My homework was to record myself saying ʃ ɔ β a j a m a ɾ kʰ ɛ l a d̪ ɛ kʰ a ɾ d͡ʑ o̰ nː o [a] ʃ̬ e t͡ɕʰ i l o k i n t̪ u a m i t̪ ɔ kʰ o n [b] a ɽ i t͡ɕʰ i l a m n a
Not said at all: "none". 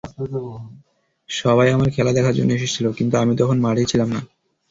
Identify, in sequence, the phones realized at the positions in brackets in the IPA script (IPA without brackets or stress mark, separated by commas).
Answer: e, m